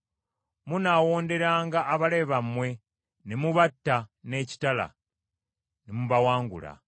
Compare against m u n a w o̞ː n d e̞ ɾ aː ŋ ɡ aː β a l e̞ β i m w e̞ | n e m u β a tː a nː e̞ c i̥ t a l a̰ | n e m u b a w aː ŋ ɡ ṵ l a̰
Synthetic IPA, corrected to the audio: m u n a w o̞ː n d e̞ ɾ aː ŋ ɡ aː β a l e̞ β a m w e̞ | n e m u β a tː a n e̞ c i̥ t a l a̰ | n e m u β a w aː ŋ ɡ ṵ l a̰